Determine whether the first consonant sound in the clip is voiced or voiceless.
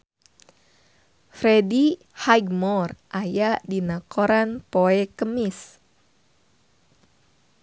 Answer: voiceless